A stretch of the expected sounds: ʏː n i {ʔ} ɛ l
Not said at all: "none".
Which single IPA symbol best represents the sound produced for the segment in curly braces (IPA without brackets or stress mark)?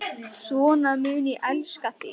ʔ